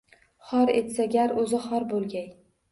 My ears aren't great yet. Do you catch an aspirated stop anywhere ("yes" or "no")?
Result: no